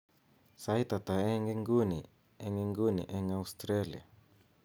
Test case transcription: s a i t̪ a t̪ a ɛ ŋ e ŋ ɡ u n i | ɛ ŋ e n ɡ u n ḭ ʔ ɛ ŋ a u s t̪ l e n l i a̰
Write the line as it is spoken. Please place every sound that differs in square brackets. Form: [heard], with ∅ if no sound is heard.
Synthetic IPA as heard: s a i t̪ a t̪ a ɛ ŋ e ŋ ɡ u n i | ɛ ŋ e [ŋ] ɡ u n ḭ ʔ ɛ ŋ a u s t̪ [ɾ] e [∅] l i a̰

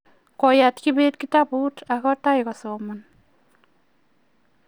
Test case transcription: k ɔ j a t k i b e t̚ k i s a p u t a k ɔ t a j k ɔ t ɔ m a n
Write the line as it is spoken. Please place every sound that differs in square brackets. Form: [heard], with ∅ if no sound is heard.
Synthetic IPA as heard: k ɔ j a t k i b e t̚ k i [t] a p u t a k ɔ t a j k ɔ [s] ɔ m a n

